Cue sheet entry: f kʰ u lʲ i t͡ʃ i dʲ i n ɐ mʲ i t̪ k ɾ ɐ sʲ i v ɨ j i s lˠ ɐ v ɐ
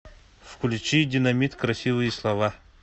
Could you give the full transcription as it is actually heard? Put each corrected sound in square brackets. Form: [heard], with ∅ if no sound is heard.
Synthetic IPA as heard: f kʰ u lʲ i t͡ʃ i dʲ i n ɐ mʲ i t̪ k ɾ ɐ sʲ i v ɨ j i s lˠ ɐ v [a]